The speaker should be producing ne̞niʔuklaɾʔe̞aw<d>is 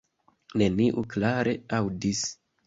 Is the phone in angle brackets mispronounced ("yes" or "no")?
no